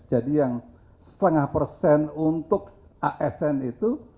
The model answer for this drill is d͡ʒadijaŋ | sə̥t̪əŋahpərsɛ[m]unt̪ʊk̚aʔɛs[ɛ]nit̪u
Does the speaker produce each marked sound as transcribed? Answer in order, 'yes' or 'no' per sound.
no, yes

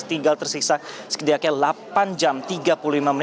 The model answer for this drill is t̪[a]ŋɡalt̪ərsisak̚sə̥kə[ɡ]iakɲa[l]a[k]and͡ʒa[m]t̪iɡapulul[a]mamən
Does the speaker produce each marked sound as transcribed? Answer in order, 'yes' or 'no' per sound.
no, no, yes, no, yes, no

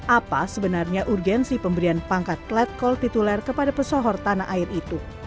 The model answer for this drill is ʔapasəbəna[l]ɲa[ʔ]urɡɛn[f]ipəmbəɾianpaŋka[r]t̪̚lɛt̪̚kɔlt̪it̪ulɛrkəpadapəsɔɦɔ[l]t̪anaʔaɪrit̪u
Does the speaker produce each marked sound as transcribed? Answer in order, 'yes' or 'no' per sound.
no, yes, no, no, no

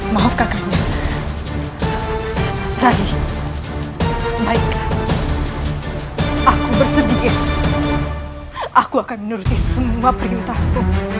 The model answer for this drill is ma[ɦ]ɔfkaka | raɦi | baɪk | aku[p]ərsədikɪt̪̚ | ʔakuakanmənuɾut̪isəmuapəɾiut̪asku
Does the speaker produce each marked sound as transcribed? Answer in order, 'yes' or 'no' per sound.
yes, no

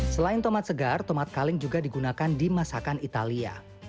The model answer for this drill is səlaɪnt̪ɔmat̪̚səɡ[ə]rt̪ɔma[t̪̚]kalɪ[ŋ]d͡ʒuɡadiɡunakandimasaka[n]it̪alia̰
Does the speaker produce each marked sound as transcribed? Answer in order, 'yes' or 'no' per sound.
no, yes, yes, yes

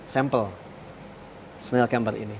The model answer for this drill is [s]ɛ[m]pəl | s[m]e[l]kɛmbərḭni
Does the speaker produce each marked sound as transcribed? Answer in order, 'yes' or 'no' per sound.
yes, yes, no, yes

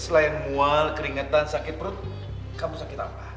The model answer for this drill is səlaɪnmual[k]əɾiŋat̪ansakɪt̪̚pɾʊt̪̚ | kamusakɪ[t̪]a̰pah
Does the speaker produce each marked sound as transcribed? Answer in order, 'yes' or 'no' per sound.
yes, yes

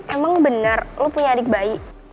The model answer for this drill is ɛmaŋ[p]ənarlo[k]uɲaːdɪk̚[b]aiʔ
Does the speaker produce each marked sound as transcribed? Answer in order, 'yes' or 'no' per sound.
no, no, yes

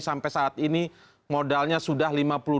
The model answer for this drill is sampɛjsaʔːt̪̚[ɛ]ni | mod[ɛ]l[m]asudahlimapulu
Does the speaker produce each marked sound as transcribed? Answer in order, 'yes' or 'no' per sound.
no, no, no

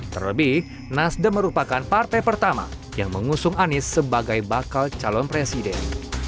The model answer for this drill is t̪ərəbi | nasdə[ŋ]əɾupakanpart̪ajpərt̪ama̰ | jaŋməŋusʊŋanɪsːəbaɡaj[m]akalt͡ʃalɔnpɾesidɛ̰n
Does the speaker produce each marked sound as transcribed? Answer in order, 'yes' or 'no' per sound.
no, no

